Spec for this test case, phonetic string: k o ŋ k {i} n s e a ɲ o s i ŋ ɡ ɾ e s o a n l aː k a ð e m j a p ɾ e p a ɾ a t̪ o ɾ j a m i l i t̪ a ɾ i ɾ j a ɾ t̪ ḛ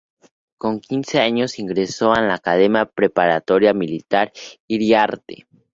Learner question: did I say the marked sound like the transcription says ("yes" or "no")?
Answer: yes